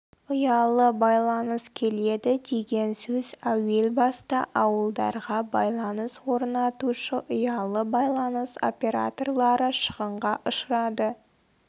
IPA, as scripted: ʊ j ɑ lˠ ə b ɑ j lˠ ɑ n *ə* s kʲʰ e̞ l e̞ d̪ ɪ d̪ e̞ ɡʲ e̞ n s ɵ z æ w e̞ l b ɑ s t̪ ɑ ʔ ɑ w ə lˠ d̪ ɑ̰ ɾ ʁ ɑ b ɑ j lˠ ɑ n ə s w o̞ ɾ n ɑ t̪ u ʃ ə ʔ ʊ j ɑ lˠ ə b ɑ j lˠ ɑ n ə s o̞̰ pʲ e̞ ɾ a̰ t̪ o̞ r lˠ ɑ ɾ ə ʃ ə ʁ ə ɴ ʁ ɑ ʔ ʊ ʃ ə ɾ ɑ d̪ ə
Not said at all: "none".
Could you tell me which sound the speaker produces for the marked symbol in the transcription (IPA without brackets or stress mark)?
ə